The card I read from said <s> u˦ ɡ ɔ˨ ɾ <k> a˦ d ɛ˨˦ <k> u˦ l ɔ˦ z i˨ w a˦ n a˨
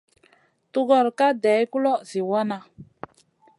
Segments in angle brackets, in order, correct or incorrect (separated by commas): incorrect, correct, correct